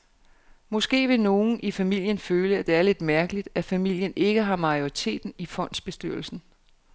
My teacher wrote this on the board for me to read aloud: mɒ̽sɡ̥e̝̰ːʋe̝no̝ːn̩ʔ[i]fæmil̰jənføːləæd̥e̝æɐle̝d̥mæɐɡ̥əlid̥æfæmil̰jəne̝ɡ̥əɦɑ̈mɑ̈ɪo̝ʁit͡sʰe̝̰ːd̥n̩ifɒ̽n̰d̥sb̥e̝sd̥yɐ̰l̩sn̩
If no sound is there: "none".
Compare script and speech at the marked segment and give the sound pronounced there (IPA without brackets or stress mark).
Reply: i